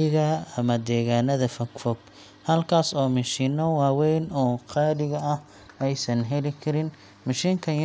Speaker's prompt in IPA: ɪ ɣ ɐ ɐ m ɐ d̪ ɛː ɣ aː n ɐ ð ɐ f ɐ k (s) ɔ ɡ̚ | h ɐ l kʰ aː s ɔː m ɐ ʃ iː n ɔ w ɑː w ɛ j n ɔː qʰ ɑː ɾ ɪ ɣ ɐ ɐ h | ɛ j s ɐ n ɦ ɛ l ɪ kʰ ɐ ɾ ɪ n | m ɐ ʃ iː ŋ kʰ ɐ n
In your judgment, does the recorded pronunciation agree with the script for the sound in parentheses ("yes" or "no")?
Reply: no